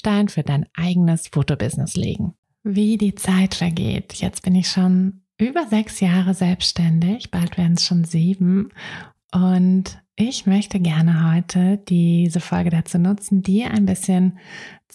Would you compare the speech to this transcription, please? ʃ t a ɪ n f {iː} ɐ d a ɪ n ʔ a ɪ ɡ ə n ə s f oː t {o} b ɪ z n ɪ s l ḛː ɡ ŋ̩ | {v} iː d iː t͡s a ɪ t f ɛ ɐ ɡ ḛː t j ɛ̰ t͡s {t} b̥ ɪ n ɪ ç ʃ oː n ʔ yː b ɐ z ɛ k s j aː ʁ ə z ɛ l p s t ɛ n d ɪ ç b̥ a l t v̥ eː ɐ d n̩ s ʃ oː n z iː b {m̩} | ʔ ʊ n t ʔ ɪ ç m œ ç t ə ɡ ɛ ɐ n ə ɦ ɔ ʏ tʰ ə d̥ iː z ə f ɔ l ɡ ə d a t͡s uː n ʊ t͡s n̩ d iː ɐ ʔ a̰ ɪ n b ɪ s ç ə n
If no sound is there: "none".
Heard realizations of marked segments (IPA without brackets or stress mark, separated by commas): yː, o, v, t, m̩